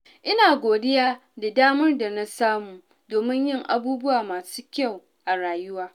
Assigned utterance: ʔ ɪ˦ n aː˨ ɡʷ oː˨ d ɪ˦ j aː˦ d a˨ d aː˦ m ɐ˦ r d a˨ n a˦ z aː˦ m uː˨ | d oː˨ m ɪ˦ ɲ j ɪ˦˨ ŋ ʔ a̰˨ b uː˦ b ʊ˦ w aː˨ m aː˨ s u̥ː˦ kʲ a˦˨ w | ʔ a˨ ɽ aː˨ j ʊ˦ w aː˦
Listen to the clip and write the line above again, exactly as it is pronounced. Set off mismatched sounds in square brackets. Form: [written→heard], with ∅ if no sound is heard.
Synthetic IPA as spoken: ʔ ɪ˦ n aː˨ ɡʷ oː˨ d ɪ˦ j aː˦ d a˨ d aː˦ m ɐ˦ r d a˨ n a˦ [z→s] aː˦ m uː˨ | d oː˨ m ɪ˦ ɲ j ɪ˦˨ ŋ ʔ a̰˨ b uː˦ b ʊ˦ w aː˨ m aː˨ s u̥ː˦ kʲ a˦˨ w | ʔ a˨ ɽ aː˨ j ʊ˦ w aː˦